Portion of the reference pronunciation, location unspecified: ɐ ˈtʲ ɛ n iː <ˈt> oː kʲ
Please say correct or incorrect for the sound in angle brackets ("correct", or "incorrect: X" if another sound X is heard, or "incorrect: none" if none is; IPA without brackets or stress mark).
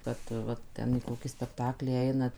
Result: incorrect: k